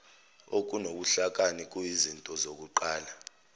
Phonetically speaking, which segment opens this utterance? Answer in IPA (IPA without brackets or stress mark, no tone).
o